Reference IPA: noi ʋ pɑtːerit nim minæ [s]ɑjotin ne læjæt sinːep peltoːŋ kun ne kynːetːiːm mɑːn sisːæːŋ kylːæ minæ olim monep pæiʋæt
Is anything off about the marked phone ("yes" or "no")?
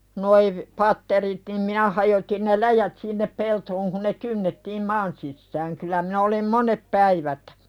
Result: yes